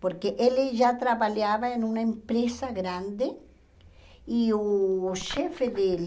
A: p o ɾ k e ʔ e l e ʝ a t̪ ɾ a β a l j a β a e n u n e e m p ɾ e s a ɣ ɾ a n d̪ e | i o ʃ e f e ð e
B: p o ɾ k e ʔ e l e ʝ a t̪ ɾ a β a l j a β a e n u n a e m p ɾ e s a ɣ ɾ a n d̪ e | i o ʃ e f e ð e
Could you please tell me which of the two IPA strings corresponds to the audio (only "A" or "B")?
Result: B